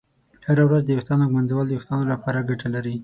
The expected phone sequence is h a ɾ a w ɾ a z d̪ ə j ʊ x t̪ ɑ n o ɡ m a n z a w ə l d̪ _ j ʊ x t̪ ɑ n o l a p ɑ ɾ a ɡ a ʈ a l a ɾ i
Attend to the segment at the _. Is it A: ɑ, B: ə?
B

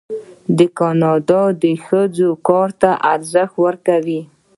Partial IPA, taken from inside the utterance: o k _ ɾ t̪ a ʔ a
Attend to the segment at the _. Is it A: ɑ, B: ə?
A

